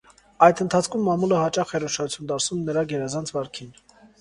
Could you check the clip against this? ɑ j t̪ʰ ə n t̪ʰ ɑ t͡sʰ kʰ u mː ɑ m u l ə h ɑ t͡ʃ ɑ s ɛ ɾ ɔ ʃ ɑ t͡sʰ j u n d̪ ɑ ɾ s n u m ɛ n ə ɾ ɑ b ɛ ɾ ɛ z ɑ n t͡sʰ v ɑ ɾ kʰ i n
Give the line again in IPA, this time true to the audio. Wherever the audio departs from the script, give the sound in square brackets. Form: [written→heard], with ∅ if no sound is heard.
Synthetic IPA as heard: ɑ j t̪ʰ ə n t̪ʰ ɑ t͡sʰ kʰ u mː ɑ m u l ə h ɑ t͡ʃ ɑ [s→χ] ɛ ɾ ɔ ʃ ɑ t͡sʰ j u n d̪ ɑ ɾ s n u m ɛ n ə ɾ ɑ [b→ɡ] ɛ ɾ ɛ z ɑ n t͡sʰ v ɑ ɾ kʰ i n